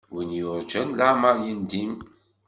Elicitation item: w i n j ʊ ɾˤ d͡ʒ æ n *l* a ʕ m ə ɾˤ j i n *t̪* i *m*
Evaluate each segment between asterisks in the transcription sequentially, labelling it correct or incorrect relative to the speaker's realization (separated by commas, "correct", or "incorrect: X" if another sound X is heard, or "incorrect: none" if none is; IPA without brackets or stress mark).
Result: correct, incorrect: d̪, correct